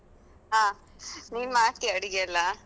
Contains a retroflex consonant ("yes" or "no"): yes